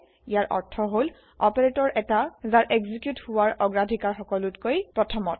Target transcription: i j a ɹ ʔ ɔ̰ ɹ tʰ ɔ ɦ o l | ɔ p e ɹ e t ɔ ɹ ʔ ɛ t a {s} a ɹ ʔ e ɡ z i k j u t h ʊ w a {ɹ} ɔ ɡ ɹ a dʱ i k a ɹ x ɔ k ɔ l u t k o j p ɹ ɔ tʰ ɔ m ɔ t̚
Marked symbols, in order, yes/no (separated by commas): no, yes